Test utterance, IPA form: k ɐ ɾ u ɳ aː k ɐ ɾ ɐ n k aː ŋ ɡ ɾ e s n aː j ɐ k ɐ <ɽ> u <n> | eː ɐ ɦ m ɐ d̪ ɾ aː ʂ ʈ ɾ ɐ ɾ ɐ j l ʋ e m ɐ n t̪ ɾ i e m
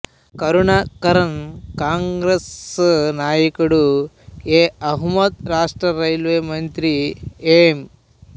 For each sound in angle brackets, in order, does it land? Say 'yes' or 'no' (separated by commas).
yes, no